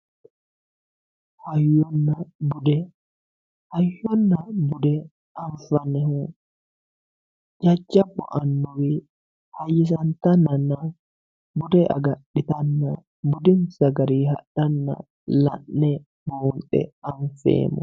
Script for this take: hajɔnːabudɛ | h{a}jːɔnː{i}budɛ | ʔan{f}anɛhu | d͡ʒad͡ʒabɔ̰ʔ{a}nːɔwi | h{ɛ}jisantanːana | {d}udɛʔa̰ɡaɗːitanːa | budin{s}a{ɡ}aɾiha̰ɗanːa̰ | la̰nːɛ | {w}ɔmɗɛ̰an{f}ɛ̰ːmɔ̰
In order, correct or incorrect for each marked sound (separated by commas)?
correct, incorrect, correct, correct, incorrect, incorrect, correct, correct, incorrect, correct